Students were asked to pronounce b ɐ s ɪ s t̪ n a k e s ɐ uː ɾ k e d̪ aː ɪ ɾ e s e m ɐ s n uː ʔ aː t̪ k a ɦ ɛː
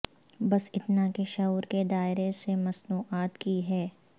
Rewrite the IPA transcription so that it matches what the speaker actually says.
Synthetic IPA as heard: b ɐ s ɪ t̪ n a k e ʃ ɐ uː ɾ k e d̪ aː ɪ ɾ e s e m ɐ s n uː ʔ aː t̪ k i ɦ ɛː